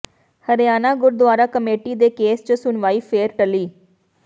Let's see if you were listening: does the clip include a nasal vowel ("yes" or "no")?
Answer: no